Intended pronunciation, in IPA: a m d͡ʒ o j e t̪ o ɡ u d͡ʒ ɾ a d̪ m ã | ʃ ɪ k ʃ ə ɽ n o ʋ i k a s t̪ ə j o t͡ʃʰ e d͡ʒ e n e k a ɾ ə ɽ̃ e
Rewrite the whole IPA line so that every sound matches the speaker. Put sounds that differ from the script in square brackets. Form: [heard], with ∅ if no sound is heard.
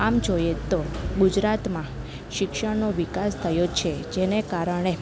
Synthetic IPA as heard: a m d͡ʒ o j e t̪ o ɡ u d͡ʒ ɾ a [t̪] m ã | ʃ ɪ k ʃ ə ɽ n o ʋ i k a s [t̪ʰ] ə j o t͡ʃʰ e d͡ʒ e n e k a ɾ ə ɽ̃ e